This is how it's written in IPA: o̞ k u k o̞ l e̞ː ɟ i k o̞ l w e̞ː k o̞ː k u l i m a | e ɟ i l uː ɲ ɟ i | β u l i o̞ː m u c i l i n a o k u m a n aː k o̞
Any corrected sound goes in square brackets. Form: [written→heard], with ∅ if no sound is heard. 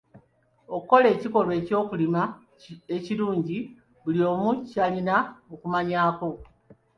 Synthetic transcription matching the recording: o̞ k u k o̞ l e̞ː [ɟ→c] i k o̞ l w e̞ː [k→c] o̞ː k u l i m a | e [ɟ→c] i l uː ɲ ɟ i | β u l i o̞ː m u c [i→a] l i n a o k u m a [n→ɲ] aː k o̞